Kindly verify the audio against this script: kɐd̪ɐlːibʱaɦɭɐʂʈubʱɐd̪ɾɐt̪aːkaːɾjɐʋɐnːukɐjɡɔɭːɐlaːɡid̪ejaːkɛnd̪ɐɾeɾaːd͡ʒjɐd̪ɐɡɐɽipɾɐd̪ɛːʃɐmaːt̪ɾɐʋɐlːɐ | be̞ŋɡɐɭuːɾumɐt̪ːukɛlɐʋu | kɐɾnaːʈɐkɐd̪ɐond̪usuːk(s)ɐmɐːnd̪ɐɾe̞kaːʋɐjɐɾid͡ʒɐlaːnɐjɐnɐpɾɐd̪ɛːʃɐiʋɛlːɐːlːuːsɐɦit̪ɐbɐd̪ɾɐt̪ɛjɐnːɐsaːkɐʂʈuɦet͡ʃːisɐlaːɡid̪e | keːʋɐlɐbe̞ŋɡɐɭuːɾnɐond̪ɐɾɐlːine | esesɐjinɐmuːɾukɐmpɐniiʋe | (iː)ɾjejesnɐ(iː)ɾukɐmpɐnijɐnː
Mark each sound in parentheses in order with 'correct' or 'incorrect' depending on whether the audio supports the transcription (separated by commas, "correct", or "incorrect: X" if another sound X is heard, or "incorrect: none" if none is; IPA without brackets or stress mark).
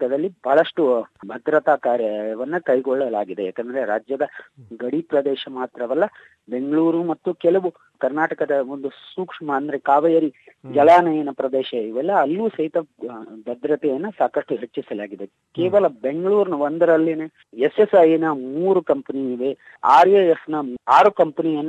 incorrect: ʂ, incorrect: aː, incorrect: aː